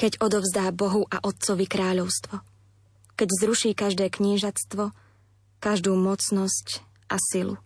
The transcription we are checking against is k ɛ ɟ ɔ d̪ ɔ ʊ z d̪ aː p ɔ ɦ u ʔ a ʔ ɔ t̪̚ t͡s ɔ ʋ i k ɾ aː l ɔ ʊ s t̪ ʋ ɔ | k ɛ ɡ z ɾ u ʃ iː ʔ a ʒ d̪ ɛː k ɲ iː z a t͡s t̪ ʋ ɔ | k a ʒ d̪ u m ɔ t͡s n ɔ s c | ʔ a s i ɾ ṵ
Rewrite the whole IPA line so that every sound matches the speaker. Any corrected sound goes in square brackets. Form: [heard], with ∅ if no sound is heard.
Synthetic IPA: k ɛ ɟ ɔ d̪ ɔ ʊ z d̪ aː [b] ɔ ɦ u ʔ a ʔ ɔ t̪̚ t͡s ɔ ʋ i k ɾ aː [ʎ] ɔ ʊ s t̪ ʋ ɔ | k ɛ [ɟ] z ɾ u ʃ iː [k] a ʒ d̪ ɛː k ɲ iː [ʒ] a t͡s t̪ ʋ ɔ | k a ʒ d̪ [uː] m ɔ t͡s n ɔ s c | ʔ a s i [l] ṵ